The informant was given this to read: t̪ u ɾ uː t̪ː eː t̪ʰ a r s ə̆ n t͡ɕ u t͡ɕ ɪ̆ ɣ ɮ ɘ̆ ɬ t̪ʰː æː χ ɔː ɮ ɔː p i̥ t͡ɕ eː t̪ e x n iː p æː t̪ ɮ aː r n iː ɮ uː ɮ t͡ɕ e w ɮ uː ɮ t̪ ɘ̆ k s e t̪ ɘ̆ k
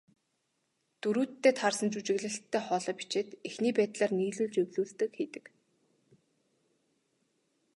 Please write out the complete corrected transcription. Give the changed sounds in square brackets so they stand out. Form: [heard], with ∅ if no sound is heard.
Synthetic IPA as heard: t̪ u ɾ uː t̪ː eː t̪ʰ a r s ə̆ n t͡ɕ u t͡ɕ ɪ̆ ɣ ɮ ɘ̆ ɬ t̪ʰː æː χ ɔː ɮ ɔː p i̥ t͡ɕ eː t̪ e x n iː p æː t̪ ɮ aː r n iː ɮ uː ɮ t͡ɕ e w ɮ uː ɮ t̪ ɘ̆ k [x] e t̪ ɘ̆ k